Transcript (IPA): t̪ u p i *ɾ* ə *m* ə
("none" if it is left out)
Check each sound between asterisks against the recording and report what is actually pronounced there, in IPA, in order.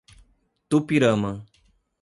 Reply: ɾ, m

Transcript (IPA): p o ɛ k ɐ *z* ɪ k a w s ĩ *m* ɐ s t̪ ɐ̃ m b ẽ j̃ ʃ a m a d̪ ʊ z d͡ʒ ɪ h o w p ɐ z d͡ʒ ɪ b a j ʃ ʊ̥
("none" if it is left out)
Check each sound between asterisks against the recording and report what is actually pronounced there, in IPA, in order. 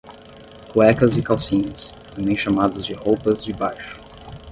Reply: z, ɲ

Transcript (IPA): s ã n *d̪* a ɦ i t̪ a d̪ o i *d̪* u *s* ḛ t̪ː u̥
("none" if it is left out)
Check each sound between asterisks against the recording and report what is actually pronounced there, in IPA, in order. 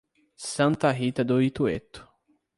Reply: t̪, t̪, none

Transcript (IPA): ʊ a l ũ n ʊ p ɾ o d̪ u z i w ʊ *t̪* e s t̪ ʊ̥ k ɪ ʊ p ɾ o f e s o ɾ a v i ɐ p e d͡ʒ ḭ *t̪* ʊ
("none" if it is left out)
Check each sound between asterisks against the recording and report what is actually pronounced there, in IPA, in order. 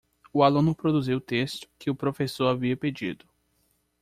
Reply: t̪, d̪

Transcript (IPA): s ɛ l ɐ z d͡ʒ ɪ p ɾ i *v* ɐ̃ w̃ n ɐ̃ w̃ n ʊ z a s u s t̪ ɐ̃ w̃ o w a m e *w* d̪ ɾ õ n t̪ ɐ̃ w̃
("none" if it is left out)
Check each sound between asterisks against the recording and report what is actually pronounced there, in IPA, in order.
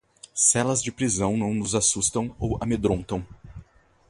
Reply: z, none

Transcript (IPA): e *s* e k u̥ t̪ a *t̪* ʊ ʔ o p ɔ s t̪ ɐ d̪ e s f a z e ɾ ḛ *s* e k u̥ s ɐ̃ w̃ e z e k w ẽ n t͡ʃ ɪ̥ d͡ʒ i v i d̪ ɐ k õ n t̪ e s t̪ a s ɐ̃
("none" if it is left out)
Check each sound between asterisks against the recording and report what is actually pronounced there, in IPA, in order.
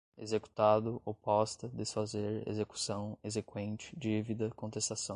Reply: z, d̪, z

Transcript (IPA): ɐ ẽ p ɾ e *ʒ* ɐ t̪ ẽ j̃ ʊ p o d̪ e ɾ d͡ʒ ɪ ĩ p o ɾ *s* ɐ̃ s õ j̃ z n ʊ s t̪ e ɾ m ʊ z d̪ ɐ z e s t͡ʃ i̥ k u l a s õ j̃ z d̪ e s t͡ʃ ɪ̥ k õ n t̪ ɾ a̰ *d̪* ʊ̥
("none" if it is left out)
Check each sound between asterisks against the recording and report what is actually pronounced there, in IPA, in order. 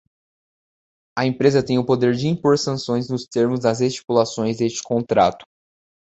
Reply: z, s, t̪

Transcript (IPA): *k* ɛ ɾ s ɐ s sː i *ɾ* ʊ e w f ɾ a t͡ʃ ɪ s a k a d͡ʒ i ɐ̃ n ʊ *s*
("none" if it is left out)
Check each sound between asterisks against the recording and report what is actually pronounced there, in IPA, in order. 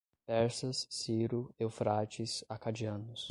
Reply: p, ɾ, s

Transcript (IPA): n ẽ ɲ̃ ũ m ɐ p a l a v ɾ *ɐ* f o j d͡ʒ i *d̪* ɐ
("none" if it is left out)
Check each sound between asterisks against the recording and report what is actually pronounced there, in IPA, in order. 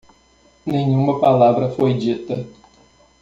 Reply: ɐ, t̪

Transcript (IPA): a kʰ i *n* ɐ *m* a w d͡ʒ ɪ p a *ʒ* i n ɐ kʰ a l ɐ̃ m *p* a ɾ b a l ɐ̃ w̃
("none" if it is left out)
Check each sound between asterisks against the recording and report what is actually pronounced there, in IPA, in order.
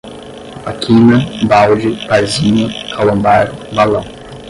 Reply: n, b, z, b

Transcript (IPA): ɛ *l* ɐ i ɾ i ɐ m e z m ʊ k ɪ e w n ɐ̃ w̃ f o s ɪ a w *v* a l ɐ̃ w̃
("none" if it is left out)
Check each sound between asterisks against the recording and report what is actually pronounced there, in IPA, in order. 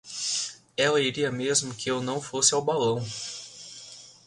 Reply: l, b

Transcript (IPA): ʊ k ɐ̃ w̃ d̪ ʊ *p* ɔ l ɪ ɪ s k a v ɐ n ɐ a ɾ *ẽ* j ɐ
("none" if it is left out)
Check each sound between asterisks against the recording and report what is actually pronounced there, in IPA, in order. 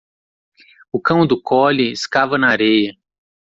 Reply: k, e

